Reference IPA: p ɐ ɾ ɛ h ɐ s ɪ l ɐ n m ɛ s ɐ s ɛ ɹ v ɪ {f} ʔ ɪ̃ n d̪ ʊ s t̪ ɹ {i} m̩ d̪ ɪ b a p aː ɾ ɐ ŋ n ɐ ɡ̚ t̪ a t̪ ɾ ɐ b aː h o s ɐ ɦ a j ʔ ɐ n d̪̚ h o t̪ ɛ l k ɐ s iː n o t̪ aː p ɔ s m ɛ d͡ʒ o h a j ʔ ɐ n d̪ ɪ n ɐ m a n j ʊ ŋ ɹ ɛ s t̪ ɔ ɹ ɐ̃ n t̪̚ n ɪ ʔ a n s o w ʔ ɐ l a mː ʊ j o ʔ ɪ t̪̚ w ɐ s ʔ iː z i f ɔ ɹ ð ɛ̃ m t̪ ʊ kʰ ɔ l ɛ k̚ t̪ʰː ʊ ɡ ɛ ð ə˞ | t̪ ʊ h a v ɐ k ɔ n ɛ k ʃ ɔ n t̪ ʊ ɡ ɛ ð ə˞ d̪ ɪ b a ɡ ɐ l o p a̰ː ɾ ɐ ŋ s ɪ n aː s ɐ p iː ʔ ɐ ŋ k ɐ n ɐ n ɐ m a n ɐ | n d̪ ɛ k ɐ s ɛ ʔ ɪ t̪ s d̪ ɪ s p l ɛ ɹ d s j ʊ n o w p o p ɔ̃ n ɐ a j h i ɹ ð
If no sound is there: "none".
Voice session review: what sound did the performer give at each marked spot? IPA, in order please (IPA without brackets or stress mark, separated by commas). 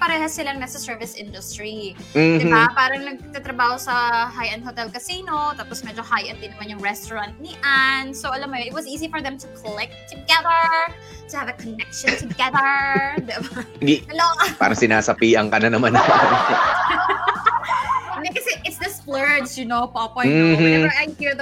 s, i